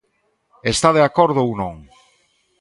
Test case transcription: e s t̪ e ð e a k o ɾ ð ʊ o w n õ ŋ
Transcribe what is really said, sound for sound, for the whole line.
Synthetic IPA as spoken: e s t̪ a ð e a k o ɾ ð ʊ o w n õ ŋ

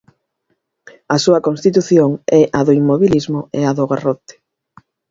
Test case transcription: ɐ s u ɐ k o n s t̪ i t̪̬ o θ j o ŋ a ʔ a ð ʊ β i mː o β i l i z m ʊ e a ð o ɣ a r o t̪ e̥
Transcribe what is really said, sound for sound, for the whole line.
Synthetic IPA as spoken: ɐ s u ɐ k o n s t̪ i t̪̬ u θ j o ŋ ɛ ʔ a ð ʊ i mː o β i l i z m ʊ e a ð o ɣ a r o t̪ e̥

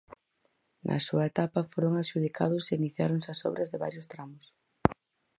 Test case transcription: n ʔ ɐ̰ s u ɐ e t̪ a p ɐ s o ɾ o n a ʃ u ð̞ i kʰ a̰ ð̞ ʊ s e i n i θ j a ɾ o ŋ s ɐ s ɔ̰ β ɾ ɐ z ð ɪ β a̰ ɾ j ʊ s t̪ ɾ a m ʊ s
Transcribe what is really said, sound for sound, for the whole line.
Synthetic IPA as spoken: n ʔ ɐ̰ s u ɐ e t̪ a p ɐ f o ɾ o ŋ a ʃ u ð̞ i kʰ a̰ ð̞ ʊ s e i n i θ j a ɾ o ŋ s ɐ s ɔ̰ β ɾ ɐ z ð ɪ β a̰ ɾ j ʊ s t̪ ɾ a m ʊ s

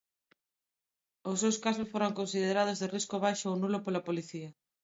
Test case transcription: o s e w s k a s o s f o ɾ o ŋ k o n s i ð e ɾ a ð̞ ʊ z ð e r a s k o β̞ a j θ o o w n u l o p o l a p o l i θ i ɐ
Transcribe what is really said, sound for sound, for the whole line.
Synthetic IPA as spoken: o s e w s k a s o s f o ɾ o ŋ k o n s i ð e ɾ a ð̞ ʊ z ð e r i s k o β̞ a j ʃ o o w n u l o p o l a p o l i θ i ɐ

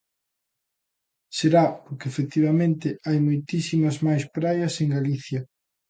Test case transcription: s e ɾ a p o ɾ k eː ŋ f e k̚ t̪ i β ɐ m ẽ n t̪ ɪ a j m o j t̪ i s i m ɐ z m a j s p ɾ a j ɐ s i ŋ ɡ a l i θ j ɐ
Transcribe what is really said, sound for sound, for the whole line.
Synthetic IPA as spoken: s e ɾ a p o ɾ k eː f e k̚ t̪ i β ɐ m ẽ n t̪ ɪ a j m o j t̪ i s i m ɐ z m a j s p ɾ a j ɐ s e ŋ ɡ a l i θ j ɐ

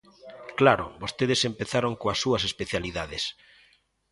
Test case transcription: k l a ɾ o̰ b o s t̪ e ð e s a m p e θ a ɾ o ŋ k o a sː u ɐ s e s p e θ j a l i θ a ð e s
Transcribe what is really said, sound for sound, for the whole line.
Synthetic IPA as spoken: k l a ɾ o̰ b o s t̪ e ð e s e m p e θ a ɾ o ŋ k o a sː u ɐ s e s p e θ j a l i ð a ð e s

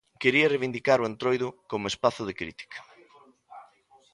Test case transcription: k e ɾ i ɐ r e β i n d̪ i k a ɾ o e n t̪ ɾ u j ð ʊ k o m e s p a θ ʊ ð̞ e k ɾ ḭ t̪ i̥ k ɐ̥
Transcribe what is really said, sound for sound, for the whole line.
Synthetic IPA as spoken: k e ɾ i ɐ r e β i n d̪ i k a ɾ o e n t̪ ɾ o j ð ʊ k o m e s p a θ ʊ ð̞ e k ɾ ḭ t̪ i̥ k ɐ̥

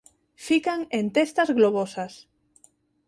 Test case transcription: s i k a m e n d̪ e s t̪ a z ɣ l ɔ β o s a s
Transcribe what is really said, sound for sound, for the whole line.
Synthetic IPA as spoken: f i k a ŋ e n t̪ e s t̪ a z ɣ l o β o s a s

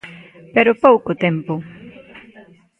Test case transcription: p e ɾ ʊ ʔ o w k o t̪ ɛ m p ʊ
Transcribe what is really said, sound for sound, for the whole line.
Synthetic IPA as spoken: p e ɾ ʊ p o w k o t̪ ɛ m p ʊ

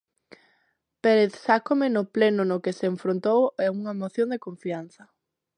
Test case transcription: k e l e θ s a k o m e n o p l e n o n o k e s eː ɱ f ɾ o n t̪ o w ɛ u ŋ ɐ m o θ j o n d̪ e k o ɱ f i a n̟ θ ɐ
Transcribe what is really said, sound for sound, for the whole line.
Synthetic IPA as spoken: p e ɾ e θ s a k o m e n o p l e n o n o k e s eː ɱ f ɾ o n t̪ o w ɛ u ŋ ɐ m o θ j o n d̪ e k o ɱ f i a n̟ θ ɐ

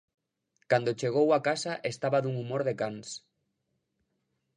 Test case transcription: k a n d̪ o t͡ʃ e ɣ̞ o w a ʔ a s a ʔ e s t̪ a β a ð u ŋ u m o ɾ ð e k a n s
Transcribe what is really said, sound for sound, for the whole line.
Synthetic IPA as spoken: k a n d̪ o t͡ʃ e ɣ̞ o w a k a s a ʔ e s t̪ a β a ð u ŋ u m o ɾ ð e k a n s

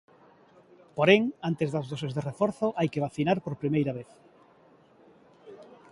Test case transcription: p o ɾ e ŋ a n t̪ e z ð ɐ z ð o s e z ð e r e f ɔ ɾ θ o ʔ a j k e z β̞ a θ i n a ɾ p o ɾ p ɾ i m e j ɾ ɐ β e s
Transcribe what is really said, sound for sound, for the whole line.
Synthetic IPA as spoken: p o ɾ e ŋ a n t̪ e z ð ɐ z ð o s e z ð e r e f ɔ ɾ θ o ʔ a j k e β̞ a θ i n a ɾ p o ɾ p ɾ i m e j ɾ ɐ β e θ

